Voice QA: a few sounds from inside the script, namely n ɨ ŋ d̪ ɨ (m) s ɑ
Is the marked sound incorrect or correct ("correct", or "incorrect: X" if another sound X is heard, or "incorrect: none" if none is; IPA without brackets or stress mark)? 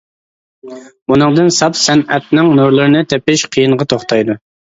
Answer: incorrect: n